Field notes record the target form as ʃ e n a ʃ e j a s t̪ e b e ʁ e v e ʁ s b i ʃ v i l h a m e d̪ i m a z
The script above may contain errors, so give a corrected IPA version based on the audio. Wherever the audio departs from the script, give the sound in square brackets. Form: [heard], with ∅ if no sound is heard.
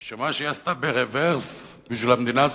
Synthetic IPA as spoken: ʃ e [m] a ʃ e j a s t̪ [a] b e ʁ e v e ʁ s b i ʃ v i l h a m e d̪ i [n] a z